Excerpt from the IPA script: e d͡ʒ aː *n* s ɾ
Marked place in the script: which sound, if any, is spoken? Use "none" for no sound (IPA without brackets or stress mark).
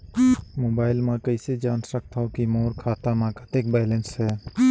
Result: n